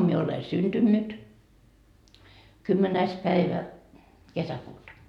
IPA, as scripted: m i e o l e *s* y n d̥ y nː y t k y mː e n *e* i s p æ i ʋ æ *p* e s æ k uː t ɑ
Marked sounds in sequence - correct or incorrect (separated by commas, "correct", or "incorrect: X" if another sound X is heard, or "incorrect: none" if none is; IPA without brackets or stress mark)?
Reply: correct, incorrect: æ, incorrect: k